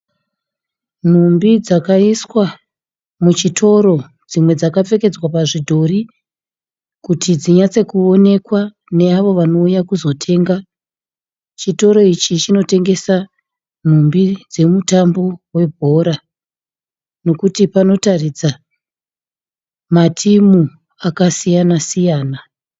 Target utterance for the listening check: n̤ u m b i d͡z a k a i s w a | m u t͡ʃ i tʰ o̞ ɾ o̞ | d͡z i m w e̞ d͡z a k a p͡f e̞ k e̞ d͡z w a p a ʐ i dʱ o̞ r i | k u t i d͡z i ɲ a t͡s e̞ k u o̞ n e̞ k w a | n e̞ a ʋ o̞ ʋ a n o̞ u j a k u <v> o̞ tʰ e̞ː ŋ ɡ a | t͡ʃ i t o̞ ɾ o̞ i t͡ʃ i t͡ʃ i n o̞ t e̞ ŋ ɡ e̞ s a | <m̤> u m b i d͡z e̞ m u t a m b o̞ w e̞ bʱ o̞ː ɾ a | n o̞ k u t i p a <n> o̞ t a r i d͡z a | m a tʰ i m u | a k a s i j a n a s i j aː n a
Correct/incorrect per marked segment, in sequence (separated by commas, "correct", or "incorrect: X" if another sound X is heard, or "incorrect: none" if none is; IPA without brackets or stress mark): incorrect: z, incorrect: n̤, correct